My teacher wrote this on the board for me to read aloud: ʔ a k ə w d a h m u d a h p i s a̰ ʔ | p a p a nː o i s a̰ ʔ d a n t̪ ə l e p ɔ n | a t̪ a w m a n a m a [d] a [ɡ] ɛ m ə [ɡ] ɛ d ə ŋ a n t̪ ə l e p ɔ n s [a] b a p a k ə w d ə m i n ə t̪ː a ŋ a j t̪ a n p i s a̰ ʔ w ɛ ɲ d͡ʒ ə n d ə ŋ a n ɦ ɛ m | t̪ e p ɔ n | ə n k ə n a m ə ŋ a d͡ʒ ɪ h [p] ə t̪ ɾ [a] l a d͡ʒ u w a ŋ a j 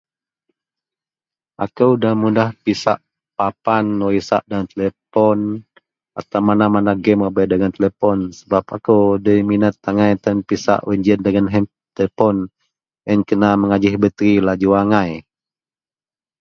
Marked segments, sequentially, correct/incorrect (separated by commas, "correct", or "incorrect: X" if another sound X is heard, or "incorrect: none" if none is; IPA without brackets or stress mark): incorrect: n, correct, incorrect: b, incorrect: ə, incorrect: b, incorrect: i